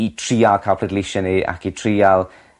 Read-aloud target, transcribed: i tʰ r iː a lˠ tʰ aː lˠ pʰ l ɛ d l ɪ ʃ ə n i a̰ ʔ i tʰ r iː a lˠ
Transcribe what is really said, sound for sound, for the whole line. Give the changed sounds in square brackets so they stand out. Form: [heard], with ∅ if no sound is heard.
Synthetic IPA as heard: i tʰ r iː a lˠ [kʰ] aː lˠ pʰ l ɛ d l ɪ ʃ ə n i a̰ [k] i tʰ r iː a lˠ